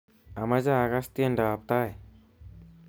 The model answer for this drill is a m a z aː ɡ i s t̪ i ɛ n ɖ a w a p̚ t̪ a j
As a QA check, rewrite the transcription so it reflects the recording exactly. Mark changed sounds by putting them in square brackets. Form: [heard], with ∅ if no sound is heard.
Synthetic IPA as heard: a m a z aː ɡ [a] s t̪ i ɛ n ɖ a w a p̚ t̪ a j